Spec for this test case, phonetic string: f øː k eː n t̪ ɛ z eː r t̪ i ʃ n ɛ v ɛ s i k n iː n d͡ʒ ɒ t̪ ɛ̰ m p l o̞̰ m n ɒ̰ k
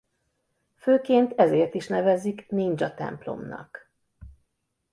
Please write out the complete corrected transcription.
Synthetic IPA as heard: f øː k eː n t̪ ɛ z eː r t̪ i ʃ n ɛ v ɛ z i k n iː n d͡ʒ ɒ t̪ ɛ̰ m p l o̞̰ m n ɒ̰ k